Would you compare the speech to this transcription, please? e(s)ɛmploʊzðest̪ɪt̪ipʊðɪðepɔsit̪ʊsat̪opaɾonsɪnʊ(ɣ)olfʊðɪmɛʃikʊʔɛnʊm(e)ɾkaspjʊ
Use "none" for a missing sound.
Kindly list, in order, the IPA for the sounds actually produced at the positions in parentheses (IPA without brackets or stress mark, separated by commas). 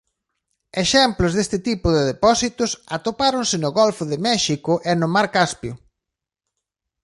ʃ, ɣ, a